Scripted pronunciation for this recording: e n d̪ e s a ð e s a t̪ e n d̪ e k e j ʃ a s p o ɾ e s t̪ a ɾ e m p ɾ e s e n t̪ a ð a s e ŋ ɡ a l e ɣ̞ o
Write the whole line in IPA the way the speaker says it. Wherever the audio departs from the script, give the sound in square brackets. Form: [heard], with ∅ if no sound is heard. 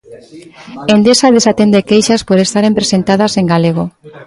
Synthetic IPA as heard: e n d̪ e s a ð e s a t̪ e n d̪ e k e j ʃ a s p o ɾ e s t̪ a ɾ e m p ɾ e s e n t̪ a ð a s e ŋ ɡ a l e ɣ̞ o